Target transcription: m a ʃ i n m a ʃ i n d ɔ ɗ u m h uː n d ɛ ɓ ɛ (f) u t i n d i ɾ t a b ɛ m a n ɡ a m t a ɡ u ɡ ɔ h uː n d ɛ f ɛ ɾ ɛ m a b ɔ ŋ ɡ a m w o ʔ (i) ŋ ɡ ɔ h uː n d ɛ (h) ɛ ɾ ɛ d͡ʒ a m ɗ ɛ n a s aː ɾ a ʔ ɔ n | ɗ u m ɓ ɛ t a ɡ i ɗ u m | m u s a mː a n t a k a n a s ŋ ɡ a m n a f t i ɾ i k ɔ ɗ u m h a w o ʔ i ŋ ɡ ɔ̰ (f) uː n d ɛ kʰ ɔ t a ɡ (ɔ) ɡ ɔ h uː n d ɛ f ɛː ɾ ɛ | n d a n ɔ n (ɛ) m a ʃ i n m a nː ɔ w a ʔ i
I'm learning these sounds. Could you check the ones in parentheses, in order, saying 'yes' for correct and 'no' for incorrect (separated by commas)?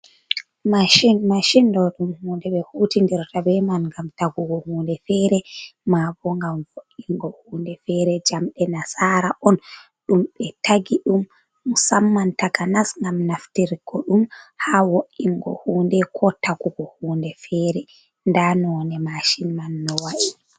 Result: no, yes, no, no, no, yes